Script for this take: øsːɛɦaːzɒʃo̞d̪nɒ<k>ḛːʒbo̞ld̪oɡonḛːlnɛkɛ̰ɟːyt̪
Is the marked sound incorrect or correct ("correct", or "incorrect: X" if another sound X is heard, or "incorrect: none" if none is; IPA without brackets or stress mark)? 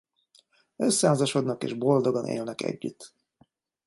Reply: correct